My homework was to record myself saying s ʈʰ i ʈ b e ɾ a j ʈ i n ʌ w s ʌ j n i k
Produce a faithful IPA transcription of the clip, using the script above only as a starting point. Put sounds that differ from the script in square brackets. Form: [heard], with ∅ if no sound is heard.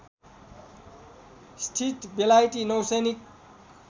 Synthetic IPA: s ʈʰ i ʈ b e [l] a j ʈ i n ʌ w s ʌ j n i k